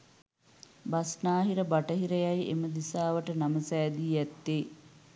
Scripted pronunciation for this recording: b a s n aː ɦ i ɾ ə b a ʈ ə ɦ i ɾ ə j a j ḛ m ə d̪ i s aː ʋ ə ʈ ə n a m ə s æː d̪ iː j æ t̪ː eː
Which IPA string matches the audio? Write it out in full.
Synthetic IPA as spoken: b a s n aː ɦ i ɾ ə b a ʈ ə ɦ i ɾ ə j a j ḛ m ə d̪ i s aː ʋ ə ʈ ə n a m ə s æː d̪ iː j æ t̪ː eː